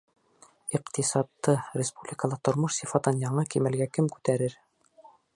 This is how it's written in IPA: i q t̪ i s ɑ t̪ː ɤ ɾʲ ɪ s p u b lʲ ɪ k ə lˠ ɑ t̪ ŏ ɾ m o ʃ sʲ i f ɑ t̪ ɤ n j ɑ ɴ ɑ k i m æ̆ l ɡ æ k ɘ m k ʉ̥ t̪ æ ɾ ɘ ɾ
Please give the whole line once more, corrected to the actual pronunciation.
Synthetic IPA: i q t̪ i s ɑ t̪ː ɤ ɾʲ ɪ s p u b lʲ ɪ k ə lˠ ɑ t̪ ŏ ɾ m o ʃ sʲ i f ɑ t̪ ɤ n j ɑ ɴ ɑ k i m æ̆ l ɡ æ k ɘ m k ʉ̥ t̪ æ ɾ ɘ ɾ